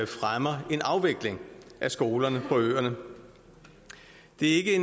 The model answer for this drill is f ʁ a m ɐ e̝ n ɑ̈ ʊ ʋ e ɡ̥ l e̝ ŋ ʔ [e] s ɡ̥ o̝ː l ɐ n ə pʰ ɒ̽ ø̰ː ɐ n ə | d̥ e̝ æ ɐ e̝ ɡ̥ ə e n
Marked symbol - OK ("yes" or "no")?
no